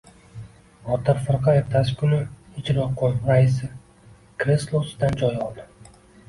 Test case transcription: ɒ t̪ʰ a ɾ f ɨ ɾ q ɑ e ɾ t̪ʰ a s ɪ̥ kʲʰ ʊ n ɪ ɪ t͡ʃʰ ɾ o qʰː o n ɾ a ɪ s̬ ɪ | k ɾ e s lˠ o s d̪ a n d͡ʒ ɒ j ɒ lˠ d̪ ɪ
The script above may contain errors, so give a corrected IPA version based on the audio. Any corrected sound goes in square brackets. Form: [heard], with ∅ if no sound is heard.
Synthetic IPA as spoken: ɒ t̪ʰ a ɾ f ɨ ɾ q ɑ e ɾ t̪ʰ a s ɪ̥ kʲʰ ʊ n ɪ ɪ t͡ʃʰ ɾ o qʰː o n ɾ a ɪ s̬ ɪ | k ɾ e s lˠ o s d̪ a n d͡ʒ ɒ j ɒ lˠ d̪ ɪ